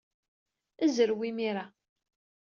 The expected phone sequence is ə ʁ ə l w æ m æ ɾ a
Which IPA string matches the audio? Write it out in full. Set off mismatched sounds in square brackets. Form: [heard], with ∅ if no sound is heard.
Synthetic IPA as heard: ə [z] ə [ɾ] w [i] m [i] ɾ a